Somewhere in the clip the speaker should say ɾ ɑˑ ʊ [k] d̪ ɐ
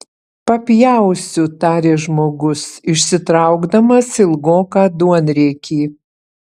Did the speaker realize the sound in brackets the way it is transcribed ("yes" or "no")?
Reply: no